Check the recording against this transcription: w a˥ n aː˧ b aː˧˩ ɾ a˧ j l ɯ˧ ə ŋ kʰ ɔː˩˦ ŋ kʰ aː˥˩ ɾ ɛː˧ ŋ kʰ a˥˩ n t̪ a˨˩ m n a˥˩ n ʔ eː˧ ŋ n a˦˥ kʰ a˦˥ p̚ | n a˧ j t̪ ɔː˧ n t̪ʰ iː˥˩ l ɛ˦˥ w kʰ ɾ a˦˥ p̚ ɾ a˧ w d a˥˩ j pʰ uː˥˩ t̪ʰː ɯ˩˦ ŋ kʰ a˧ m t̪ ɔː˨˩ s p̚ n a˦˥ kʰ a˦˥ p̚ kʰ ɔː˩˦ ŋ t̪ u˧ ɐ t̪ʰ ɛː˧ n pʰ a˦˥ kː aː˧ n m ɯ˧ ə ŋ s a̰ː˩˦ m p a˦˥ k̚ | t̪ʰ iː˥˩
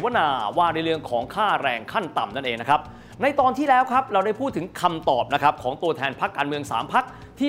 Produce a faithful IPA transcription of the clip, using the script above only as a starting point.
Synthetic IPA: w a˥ n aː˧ w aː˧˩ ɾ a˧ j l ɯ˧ ə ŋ kʰ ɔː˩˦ ŋ kʰ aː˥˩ ɾ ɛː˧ ŋ kʰ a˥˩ n t̪ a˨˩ m n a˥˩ n ʔ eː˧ ŋ n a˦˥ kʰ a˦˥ p̚ | n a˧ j t̪ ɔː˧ n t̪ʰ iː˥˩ l ɛː˦˥ w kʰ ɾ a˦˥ p̚ ɾ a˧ w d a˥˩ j pʰ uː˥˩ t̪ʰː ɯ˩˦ ŋ kʰ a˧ m t̪ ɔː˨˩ p̚ n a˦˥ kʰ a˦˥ p̚ kʰ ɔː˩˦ ŋ t̪ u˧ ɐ t̪ʰ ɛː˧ n pʰ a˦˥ kː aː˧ n m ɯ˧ ə ŋ s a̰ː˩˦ m pʰ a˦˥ k̚ | t̪ʰ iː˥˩